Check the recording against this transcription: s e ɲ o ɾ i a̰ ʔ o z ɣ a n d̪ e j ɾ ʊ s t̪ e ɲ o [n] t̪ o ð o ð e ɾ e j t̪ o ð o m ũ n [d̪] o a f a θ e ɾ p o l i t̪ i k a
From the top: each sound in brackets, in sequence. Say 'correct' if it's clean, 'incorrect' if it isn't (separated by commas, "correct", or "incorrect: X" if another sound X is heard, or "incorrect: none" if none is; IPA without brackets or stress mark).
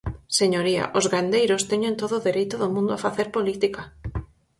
correct, correct